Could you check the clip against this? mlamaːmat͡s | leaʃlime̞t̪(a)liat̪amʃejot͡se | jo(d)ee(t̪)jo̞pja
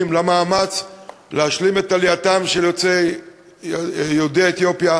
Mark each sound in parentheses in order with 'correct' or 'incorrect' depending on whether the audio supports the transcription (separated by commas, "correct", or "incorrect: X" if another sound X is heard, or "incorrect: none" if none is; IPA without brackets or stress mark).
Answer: correct, correct, correct